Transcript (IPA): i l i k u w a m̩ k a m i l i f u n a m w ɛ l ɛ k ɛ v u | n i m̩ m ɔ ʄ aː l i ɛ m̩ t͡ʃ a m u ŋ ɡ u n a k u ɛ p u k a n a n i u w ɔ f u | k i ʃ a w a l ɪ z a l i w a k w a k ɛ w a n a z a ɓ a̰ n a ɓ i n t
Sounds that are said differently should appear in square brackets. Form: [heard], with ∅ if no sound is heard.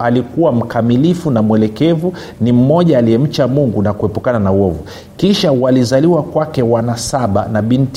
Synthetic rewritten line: [a] l i k u w a m̩ k a m i l i f u n a m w ɛ l ɛ k ɛ v u | n i m̩ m ɔ ʄ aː l i ɛ m̩ t͡ʃ a m u ŋ ɡ u n a k u ɛ p u k a n a n [a] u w ɔ [v] u | k i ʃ a w a l [i] z a l i w a k w a k ɛ w a n a [s] a ɓ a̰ n a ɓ i n t